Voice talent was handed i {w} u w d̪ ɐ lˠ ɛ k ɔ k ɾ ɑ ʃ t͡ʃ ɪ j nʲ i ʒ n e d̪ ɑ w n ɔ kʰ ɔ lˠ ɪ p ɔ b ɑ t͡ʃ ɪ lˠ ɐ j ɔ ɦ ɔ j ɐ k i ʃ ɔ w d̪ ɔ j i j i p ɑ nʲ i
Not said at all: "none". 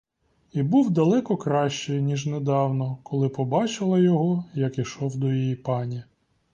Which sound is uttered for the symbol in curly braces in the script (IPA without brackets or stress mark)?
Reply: b